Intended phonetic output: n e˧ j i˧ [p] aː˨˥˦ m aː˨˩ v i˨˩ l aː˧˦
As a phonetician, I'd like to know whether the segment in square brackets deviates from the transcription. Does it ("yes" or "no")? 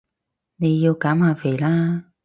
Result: yes